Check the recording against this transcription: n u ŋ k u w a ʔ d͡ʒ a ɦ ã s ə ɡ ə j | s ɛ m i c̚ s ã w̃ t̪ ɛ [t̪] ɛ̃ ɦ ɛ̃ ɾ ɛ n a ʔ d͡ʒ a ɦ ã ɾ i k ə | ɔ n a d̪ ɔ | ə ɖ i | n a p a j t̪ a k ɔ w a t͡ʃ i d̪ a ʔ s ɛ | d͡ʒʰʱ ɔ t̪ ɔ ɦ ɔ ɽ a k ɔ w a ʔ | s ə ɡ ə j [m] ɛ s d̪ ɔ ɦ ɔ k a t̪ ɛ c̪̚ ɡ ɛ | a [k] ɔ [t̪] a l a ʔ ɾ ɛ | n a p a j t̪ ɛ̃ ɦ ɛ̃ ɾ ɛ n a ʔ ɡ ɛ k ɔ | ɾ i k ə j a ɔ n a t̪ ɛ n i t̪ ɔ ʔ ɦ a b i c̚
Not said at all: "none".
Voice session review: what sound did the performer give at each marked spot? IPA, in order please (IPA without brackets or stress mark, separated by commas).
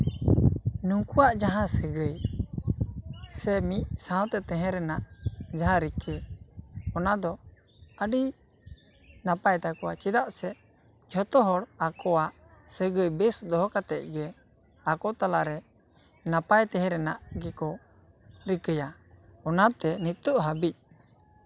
t̪, b, k, t̪